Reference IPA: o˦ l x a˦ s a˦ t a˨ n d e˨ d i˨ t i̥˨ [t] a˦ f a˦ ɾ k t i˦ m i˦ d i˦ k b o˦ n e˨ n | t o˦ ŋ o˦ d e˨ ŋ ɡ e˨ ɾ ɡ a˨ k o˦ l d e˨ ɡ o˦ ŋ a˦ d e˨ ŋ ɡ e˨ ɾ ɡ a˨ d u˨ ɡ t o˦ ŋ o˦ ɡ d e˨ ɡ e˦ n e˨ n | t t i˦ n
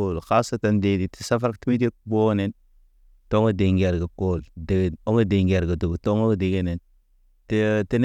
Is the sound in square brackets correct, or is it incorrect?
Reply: incorrect